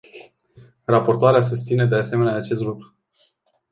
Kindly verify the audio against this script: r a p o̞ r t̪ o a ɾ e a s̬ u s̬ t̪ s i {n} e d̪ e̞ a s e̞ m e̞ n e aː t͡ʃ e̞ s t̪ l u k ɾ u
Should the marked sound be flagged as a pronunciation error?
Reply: no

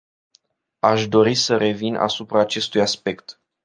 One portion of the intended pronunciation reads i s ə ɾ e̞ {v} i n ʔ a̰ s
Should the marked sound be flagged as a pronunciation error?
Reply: no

